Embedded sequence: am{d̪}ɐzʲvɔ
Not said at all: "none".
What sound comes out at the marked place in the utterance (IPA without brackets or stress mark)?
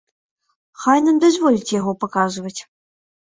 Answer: d̪